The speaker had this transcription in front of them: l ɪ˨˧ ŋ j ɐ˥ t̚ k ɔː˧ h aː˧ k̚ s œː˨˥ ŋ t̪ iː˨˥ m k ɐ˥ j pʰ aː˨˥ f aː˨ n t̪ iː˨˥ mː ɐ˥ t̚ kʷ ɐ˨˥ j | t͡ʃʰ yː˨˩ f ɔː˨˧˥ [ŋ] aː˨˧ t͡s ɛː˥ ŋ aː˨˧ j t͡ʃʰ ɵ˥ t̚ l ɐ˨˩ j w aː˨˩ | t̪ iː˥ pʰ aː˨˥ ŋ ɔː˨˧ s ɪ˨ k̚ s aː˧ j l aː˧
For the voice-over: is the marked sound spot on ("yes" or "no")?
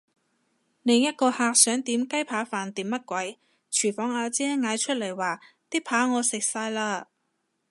yes